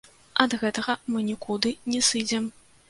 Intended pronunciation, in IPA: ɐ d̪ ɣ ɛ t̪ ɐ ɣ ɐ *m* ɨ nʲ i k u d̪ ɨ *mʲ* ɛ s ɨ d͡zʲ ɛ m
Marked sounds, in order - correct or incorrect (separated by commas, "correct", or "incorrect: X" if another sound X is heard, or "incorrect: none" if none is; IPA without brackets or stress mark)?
correct, incorrect: nʲ